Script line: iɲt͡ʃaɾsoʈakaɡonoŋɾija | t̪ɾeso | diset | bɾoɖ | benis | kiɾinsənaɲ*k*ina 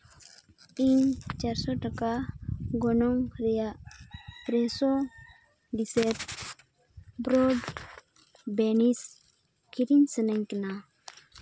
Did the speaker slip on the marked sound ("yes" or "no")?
no